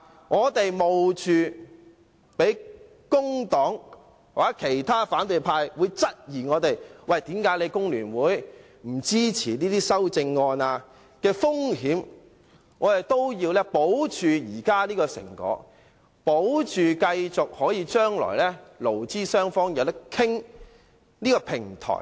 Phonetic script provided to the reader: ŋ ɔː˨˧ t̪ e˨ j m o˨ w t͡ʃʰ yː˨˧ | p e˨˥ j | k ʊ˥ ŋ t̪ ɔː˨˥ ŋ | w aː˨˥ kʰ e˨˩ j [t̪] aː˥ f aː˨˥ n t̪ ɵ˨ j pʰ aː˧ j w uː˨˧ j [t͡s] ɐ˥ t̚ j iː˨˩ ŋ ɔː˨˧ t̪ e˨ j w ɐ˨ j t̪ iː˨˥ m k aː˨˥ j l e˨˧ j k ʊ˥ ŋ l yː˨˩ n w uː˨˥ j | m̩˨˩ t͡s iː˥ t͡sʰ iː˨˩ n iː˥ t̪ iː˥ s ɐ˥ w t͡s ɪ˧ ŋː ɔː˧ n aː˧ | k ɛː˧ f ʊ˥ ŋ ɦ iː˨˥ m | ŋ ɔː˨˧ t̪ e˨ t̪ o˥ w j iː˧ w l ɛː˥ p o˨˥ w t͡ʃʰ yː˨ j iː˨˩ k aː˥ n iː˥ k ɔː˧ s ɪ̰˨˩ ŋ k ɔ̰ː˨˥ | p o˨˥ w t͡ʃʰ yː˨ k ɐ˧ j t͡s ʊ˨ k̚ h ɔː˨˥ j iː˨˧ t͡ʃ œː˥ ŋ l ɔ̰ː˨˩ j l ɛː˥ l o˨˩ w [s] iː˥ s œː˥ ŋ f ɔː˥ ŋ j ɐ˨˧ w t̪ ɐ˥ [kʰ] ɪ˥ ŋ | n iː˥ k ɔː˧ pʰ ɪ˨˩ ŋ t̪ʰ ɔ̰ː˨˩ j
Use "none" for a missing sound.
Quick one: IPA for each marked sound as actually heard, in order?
t̪ʰ, t͡s, t͡s, kʰ

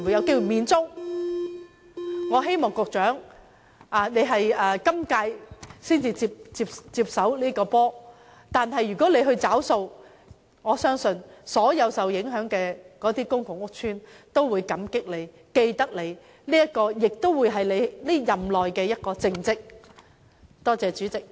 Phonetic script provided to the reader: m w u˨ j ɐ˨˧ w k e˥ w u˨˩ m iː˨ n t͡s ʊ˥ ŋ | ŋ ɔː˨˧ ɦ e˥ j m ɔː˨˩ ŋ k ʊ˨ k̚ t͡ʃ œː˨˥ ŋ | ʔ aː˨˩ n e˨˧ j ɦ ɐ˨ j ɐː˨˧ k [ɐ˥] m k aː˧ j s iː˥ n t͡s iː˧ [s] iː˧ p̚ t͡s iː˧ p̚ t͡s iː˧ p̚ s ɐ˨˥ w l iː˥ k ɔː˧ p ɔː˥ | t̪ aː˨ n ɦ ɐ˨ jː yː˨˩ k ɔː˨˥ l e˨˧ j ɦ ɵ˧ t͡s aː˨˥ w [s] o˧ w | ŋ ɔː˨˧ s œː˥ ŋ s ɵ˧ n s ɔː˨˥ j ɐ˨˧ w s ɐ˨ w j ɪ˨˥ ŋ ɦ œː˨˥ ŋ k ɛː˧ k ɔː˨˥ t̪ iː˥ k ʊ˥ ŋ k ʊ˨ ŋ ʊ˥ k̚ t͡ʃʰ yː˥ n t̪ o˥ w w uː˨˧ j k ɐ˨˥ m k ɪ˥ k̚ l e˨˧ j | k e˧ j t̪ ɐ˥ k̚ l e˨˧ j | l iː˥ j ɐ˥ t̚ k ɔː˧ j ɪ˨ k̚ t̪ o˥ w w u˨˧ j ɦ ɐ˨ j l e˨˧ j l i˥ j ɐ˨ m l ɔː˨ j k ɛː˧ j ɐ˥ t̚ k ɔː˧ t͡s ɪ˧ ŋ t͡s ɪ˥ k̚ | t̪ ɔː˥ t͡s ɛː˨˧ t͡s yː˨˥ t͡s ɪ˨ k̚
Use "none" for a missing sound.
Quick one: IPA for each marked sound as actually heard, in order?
ɐ˥, t͡s, s

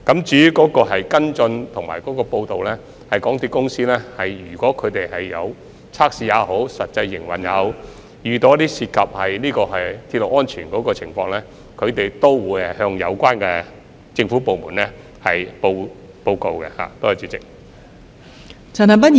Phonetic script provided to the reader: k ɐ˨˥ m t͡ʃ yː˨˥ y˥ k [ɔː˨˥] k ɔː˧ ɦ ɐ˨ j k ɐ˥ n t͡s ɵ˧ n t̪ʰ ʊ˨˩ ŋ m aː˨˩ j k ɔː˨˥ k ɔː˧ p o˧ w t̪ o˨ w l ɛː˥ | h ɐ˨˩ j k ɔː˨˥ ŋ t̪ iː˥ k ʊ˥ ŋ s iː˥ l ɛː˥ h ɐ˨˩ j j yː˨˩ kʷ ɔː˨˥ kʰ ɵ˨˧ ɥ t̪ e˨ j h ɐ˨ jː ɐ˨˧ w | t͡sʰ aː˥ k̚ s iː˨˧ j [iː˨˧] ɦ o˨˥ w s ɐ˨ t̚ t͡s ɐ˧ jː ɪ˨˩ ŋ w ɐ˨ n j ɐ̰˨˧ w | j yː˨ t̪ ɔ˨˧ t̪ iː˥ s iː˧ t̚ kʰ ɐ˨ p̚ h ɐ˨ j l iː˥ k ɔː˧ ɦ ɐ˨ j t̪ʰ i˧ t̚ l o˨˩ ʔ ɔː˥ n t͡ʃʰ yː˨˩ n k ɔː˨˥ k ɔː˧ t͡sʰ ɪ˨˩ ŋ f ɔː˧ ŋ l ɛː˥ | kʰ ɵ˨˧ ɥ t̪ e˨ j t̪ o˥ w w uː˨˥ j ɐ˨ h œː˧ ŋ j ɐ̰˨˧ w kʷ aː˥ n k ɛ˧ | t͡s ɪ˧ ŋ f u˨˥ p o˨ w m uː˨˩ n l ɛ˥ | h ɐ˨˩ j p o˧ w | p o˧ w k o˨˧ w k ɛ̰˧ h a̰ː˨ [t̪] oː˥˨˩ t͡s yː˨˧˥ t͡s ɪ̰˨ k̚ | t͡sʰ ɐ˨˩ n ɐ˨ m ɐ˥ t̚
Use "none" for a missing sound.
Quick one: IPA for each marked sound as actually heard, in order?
ɔː˨˥, aː˨˧, t̪

